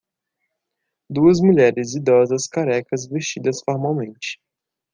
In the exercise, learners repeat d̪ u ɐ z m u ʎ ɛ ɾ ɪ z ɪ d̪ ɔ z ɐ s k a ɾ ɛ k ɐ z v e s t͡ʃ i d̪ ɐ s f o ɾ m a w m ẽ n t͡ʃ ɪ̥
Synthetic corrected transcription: d̪ u ɐ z m u ʎ ɛ ɾ ɪ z i d̪ ɔ z ɐ s k a ɾ ɛ k ɐ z v e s t͡ʃ i d̪ ɐ s f o ɾ m a w m ẽ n t͡ʃ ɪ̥

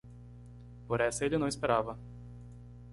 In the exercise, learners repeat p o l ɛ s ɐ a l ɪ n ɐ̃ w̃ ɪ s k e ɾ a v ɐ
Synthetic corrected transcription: p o ɾ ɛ s ɐ e l ɪ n ɐ̃ w̃ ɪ s p e ɾ a v ɐ

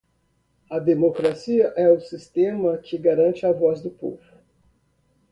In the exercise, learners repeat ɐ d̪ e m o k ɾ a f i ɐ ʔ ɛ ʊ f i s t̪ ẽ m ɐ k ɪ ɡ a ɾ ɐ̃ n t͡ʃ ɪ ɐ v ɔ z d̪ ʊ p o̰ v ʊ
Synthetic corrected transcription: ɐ d̪ e m o k ɾ a s i ɐ ʔ ɛ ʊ s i s t̪ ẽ m ɐ k ɪ ɡ a ɾ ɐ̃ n t͡ʃ ɪ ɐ v ɔ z d̪ ʊ p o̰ v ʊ

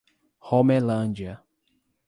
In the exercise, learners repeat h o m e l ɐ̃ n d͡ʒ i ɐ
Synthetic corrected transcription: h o m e l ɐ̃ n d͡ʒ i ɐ

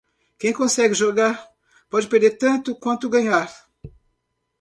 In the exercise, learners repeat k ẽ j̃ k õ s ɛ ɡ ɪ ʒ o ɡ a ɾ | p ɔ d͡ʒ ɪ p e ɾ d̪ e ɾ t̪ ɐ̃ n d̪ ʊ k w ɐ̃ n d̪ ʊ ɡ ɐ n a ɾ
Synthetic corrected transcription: k ẽ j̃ k õ s ɛ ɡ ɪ ʒ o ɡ a ɾ | p ɔ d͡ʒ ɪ p e ɾ d̪ e ɾ t̪ ɐ̃ n t̪ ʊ k w ɐ̃ n t̪ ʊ ɡ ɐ ɲ a ɾ

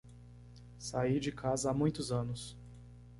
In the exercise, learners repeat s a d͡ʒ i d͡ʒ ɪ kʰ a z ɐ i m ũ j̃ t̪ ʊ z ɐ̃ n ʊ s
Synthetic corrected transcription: s a i d͡ʒ ɪ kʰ a z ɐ a m ũ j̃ t̪ ʊ z ɐ̃ n ʊ s

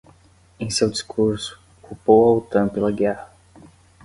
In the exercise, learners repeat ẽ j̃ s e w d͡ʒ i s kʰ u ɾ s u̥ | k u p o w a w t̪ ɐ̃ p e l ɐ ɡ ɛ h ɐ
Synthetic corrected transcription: ẽ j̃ s e w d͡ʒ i s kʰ u ɾ s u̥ | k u p o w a w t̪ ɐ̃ p e l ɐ ɡ ɛ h ɐ

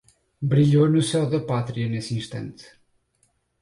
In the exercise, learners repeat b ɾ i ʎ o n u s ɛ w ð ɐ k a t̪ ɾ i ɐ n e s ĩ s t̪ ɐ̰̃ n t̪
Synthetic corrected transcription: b ɾ i ʎ o n u s ɛ w ð ɐ p a t̪ ɾ i ɐ n e s ĩ ʃ t̪ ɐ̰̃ n t̪

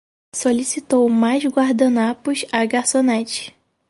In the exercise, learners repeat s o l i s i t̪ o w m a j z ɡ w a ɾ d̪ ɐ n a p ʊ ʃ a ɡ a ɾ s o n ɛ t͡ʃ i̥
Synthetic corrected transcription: s o l i s i t̪ o w m a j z ɡ w a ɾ d̪ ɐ n a p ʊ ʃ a ɡ a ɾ s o n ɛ t͡ʃ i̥

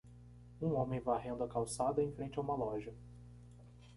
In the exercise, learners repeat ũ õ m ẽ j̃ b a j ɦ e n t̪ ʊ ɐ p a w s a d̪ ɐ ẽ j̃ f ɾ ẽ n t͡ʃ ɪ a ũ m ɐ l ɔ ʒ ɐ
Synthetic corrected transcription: ũ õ m ẽ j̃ v a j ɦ ẽ n d̪ ʊ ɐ k a w s a d̪ ɐ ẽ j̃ f ɾ ẽ n t͡ʃ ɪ a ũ m ɐ l ɔ ʒ ɐ

